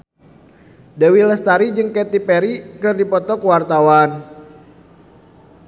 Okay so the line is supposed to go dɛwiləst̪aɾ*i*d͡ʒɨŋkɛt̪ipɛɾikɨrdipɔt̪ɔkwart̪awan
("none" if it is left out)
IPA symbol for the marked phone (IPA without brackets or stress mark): i